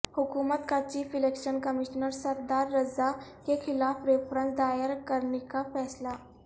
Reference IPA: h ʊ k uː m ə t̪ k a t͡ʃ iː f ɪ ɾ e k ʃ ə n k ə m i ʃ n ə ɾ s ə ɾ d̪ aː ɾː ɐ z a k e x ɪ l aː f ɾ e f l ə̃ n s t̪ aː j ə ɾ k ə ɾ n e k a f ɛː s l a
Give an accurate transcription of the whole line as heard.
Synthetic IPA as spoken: h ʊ k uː m ə t̪ k a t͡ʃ iː f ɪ l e k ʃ ə n k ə m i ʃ n ə ɾ s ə ɾ d̪ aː ɾː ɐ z a k e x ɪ l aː f ɾ e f ɾ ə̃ n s d̪ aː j ə ɾ k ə ɾ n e k a f ɛː s l a